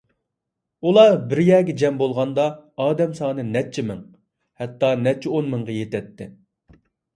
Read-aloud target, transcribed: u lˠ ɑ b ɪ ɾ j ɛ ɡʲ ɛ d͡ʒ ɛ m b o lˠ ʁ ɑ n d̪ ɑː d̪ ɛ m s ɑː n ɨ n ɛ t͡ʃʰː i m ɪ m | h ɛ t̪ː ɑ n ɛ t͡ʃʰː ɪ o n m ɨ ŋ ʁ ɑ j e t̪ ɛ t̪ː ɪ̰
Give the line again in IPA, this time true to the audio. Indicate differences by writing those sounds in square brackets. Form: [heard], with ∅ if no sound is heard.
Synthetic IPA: u lˠ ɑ b ɪ ɾ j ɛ ɡʲ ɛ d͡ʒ ɛ m b o lˠ ʁ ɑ n d̪ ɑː d̪ ɛ m s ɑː n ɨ n ɛ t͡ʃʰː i m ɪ [ŋ] | h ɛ t̪ː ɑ n ɛ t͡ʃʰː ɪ o n m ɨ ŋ ʁ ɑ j e t̪ ɛ t̪ː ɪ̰